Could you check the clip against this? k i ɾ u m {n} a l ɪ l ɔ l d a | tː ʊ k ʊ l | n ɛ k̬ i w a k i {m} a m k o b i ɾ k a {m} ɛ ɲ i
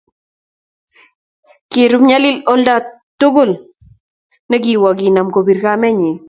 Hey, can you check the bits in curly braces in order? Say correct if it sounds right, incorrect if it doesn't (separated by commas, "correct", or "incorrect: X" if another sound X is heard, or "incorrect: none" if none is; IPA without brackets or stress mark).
incorrect: ɲ, incorrect: n, correct